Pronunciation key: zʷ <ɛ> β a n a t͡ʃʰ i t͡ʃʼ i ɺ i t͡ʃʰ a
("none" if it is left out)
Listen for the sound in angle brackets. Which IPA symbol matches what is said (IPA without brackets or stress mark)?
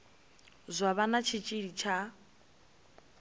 a